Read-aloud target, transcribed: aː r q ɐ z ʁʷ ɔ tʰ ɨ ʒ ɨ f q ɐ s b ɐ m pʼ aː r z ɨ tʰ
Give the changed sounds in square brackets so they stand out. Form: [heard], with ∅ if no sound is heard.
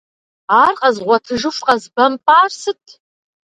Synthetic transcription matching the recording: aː r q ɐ z ʁʷ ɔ tʰ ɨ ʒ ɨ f q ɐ [z] b ɐ m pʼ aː r [s] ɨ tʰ